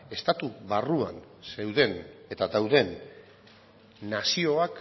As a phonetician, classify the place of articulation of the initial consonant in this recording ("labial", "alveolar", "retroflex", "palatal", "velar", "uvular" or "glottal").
alveolar